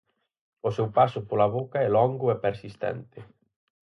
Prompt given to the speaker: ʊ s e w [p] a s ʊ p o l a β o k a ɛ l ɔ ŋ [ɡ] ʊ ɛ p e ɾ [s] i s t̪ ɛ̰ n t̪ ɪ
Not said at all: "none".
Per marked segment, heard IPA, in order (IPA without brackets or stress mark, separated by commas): p, ɡ, s